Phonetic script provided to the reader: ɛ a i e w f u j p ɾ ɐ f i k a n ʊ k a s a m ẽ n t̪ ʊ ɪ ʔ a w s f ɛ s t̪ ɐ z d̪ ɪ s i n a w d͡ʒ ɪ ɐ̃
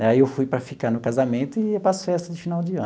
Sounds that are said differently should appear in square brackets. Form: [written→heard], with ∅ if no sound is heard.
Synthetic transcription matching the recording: ɛ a i e w f u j p ɾ ɐ f i k a n ʊ k a [s→z] a m ẽ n t̪ ʊ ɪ [ʔ→p] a [w→∅] s f ɛ s t̪ ɐ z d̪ ɪ [s→f] i n a w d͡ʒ ɪ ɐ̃